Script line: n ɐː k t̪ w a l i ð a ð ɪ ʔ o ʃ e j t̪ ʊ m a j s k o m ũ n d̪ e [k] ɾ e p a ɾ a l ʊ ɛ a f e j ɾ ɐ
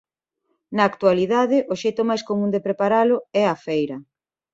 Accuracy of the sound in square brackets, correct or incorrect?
incorrect